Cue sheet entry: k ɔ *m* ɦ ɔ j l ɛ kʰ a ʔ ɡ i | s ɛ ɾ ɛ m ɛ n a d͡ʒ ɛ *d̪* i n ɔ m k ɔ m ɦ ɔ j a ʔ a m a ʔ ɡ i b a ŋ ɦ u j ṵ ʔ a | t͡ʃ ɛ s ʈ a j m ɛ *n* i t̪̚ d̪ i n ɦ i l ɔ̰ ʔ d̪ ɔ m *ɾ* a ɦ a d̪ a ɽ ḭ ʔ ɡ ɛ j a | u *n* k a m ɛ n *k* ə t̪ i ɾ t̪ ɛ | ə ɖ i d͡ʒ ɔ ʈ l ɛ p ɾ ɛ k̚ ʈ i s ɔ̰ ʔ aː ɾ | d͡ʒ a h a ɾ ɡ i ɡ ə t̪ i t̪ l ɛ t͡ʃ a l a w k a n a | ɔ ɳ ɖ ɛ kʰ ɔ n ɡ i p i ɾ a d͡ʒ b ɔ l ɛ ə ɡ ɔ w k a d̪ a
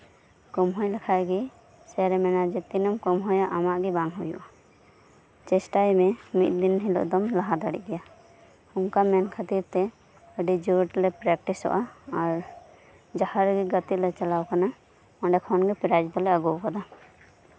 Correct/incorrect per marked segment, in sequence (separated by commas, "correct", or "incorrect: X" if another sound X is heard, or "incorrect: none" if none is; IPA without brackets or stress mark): correct, incorrect: t̪, incorrect: m, incorrect: l, incorrect: ŋ, incorrect: kʰ